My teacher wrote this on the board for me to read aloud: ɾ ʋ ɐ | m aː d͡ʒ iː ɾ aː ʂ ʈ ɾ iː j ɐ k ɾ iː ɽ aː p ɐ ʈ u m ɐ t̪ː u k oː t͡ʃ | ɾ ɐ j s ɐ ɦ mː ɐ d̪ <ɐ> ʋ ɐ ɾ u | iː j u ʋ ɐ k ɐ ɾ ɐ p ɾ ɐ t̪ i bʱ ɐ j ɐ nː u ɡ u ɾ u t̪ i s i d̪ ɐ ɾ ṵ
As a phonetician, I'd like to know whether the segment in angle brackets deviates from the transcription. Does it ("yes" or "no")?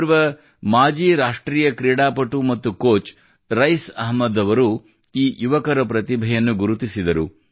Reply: no